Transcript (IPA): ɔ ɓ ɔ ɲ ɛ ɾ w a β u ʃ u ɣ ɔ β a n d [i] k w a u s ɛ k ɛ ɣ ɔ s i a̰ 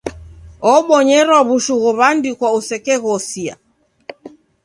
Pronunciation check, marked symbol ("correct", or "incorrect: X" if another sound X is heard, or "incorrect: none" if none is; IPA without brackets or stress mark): correct